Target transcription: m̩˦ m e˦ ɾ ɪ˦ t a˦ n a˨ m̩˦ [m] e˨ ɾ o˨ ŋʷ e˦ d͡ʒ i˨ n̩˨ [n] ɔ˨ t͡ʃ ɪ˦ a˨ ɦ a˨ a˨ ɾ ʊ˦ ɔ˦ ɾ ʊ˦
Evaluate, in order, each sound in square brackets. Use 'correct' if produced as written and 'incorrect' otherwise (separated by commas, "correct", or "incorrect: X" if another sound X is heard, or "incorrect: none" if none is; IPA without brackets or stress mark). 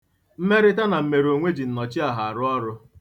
correct, correct